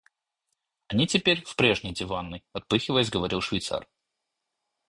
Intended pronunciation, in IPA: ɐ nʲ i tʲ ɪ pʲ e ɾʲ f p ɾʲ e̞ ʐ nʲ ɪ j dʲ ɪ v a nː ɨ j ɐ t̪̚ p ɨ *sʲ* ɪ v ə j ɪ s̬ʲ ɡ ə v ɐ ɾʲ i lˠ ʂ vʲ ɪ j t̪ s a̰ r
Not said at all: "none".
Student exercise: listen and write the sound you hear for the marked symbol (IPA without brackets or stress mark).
xʲ